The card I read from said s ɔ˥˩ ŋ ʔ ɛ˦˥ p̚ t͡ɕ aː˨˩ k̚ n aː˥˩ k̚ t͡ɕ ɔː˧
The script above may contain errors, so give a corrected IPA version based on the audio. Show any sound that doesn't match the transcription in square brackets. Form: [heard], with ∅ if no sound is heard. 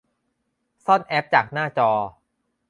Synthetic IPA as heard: s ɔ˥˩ [n] ʔ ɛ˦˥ p̚ t͡ɕ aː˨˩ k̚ n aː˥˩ [∅] t͡ɕ ɔː˧